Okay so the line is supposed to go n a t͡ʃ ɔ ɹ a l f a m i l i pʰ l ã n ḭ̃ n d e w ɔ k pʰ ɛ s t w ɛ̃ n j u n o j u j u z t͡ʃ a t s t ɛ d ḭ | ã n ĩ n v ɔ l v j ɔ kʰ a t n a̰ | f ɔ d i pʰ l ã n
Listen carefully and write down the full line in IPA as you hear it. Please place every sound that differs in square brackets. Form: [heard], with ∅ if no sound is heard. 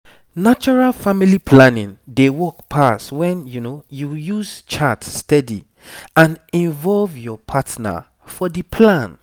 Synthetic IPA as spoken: n a t͡ʃ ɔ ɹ a l f a m i l i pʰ l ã n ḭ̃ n d e w ɔ k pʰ [a] s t w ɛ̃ n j u n o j u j u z t͡ʃ a t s t ɛ d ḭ | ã n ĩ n v ɔ l v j ɔ [pʰ] a t n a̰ | f ɔ d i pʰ l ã n